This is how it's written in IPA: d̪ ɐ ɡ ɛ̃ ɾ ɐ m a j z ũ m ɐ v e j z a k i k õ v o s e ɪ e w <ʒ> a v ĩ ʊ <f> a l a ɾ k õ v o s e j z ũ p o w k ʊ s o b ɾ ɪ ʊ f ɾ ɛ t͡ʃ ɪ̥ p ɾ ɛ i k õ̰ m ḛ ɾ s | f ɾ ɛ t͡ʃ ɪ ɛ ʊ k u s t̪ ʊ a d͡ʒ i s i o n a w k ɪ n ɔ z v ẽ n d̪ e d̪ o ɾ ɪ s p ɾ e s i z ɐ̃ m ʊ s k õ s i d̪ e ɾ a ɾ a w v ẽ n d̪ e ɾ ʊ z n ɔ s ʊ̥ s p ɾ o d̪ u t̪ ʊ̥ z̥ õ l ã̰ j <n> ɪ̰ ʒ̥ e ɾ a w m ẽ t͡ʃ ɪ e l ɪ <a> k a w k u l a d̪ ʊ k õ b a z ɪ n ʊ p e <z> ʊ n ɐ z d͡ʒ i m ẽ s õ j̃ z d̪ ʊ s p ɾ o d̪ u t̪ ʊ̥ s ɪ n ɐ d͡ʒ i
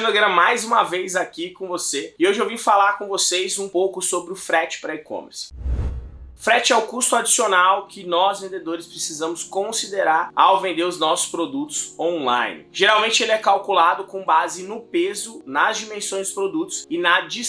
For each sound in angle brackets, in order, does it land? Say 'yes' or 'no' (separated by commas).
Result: yes, yes, yes, no, yes